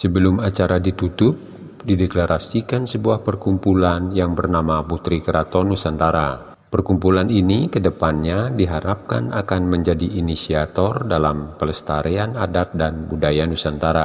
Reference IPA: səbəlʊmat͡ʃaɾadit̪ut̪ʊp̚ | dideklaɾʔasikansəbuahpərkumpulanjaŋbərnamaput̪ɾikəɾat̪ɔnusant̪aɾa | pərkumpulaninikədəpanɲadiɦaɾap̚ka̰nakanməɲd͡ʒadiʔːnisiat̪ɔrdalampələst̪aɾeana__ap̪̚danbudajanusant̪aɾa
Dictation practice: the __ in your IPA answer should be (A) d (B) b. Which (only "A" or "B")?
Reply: A